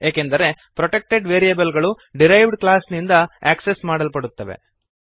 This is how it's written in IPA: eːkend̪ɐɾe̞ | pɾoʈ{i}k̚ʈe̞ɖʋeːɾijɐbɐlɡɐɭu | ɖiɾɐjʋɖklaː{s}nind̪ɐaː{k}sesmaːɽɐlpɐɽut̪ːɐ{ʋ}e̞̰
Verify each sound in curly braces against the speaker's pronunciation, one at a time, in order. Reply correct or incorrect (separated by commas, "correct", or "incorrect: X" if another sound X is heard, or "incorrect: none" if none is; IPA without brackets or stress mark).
incorrect: e, correct, correct, correct